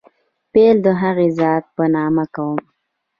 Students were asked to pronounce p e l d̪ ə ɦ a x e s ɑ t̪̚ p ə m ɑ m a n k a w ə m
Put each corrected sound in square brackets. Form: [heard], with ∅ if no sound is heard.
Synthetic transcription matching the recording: p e l d̪ ə ɦ a [ɣ] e [z] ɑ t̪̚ p ə [n] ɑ m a [∅] k a w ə m